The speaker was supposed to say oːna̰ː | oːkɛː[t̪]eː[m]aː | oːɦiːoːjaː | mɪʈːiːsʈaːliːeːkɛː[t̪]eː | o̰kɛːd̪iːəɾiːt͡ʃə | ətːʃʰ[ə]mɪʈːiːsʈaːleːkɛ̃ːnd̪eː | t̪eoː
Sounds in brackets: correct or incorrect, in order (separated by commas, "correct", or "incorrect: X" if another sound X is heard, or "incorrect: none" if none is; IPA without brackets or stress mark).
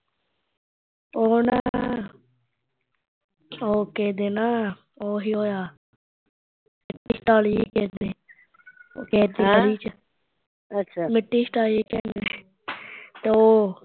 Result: incorrect: d̪, incorrect: n, incorrect: d̪, incorrect: a